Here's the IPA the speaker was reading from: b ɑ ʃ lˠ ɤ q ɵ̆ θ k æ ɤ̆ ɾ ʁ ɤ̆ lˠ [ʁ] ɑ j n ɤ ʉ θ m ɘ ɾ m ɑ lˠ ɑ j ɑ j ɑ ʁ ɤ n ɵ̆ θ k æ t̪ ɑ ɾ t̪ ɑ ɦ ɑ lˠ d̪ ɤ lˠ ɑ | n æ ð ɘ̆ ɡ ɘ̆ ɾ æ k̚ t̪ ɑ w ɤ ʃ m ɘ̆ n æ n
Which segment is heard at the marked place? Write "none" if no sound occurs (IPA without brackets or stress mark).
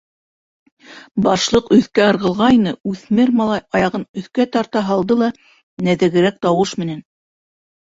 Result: ʁ